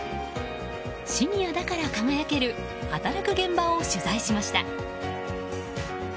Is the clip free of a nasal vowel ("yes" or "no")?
no